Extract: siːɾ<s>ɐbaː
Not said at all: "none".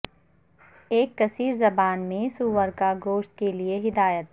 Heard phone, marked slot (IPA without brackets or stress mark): z